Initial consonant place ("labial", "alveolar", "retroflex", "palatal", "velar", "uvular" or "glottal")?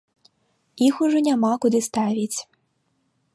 velar